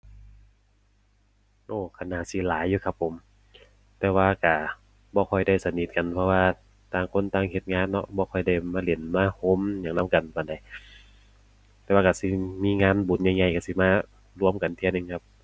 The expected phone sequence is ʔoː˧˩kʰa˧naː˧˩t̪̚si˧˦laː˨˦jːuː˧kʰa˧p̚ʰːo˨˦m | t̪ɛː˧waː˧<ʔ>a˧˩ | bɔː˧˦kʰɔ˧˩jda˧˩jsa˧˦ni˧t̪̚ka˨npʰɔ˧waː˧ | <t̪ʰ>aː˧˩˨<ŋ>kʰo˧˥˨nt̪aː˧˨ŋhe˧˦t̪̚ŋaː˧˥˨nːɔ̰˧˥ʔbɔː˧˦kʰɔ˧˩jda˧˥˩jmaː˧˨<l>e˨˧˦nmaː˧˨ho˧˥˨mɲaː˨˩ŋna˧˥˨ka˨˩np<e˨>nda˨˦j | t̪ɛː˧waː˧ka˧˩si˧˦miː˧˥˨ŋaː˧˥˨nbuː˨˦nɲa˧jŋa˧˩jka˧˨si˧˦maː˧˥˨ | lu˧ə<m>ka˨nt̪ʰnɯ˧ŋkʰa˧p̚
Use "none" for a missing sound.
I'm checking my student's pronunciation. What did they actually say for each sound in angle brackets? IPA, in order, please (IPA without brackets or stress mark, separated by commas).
k, t̪, ŋ, l, a˨, m